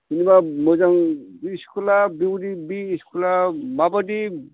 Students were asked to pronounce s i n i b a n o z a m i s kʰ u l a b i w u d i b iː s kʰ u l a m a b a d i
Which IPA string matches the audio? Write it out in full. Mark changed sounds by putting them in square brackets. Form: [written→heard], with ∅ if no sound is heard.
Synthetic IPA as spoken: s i n i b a [n→m] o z a [m→ŋ] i s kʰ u l a b i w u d i b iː s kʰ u l a m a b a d i